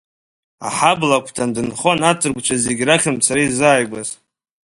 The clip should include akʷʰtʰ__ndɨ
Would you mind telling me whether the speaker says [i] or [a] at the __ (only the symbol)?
a